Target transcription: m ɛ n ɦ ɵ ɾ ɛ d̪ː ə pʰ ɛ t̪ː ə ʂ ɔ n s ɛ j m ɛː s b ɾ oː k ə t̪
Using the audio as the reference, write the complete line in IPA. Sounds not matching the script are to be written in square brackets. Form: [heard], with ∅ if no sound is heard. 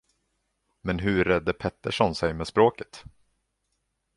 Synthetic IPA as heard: m ɛ n ɦ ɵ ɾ ɛ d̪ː ə pʰ ɛ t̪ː ə ʂ ɔ n s ɛ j m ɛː s [p] ɾ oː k ə t̪